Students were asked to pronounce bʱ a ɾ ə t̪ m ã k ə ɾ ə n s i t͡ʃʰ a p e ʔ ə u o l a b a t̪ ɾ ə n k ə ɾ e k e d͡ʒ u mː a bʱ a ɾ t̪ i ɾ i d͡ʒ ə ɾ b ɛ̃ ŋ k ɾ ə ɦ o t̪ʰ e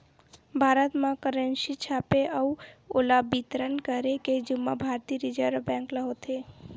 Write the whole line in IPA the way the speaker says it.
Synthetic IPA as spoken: bʱ a ɾ ə t̪ m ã k ə ɾ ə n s i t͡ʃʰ a p e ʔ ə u o l a b i t̪ ɾ ə n k ə ɾ e k e d͡ʒ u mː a bʱ a ɾ t̪ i ɾ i d͡ʒ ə ɾ b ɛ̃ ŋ k l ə ɦ o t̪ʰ e